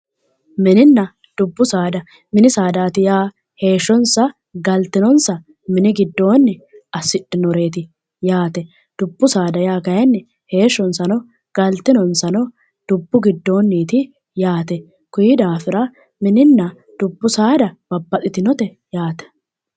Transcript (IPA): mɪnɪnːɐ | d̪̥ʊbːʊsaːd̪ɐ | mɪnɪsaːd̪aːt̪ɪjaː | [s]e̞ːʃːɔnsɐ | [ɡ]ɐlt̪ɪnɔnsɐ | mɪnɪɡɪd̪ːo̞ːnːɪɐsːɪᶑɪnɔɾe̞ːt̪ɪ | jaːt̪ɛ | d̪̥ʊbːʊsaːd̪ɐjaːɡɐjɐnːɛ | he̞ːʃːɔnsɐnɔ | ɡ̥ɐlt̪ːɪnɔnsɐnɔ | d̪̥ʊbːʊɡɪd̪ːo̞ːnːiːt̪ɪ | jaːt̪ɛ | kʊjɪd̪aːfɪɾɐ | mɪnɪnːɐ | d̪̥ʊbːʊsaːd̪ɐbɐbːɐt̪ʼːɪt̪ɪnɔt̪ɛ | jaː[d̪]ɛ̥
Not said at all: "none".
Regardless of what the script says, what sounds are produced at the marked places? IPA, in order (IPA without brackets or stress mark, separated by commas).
h, ɡ, t̪